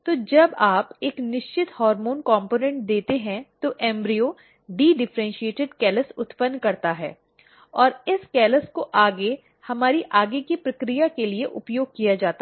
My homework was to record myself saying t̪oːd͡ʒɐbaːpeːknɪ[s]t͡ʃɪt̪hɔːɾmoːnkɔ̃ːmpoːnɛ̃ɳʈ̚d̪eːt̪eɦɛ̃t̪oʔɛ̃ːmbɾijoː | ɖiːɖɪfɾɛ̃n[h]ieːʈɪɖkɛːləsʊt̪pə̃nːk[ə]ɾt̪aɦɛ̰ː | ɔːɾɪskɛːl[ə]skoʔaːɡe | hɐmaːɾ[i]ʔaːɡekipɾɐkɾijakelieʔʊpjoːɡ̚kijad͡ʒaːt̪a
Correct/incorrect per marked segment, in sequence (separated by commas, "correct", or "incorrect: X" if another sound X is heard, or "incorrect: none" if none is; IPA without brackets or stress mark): incorrect: ʃ, incorrect: ʃ, incorrect: ɐ, correct, correct